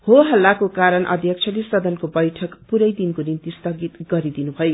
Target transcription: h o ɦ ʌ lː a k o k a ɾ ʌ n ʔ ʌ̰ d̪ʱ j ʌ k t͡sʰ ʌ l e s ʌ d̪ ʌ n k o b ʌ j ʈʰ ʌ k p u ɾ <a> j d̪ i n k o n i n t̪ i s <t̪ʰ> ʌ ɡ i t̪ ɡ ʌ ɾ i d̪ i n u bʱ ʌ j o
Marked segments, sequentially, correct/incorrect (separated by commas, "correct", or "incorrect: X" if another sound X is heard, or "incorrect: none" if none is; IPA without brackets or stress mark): incorrect: ʌ, incorrect: t̪